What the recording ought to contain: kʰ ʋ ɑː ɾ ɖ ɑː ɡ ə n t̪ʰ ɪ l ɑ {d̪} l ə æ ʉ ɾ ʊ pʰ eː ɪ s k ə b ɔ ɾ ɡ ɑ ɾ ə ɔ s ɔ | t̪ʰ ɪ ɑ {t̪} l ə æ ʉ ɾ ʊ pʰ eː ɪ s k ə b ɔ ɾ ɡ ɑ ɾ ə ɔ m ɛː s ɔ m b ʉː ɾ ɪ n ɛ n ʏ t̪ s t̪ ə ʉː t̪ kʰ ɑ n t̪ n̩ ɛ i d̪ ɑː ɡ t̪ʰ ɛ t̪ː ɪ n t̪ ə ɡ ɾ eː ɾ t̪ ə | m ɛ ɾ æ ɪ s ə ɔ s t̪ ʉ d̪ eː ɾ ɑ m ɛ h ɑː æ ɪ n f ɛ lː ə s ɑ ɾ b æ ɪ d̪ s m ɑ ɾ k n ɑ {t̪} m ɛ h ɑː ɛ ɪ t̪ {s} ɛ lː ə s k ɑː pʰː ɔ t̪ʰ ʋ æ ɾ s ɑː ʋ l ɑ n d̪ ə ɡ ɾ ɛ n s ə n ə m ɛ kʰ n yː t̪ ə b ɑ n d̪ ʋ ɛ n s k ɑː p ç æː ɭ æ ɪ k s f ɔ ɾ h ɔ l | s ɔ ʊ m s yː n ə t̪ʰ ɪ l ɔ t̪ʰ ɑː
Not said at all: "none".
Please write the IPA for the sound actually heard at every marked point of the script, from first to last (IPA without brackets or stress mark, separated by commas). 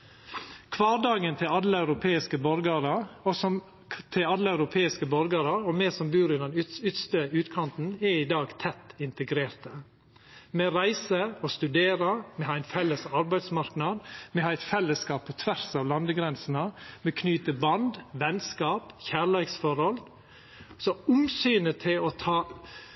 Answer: d̪, d̪, d̪, f